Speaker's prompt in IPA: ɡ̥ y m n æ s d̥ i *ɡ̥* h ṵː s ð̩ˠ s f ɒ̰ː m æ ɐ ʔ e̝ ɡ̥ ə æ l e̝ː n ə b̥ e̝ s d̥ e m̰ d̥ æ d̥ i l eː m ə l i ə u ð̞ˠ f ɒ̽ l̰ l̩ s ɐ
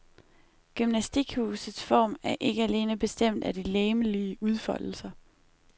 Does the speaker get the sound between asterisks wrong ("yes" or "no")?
no